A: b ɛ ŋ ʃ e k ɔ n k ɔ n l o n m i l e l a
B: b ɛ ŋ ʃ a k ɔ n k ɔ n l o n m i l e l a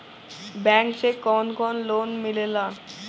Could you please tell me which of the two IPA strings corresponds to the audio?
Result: A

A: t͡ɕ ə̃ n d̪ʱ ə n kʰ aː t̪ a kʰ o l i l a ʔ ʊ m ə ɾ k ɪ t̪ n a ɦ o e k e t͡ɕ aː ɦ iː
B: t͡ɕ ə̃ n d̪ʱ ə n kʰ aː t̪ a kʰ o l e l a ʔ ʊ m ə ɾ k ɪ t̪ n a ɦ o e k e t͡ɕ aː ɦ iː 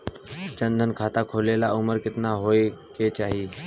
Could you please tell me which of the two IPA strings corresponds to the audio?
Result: B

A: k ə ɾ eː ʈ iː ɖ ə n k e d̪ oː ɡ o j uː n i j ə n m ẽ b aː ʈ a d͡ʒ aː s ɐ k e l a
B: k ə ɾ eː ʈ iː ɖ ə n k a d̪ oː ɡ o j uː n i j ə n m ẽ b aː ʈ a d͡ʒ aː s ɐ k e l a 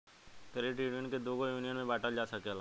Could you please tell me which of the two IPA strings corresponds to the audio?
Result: A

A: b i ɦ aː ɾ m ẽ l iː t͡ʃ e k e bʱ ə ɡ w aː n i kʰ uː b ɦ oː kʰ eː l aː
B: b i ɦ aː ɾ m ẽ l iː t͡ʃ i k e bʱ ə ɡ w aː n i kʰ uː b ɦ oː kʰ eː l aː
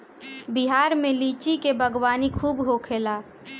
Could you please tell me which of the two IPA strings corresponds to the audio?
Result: B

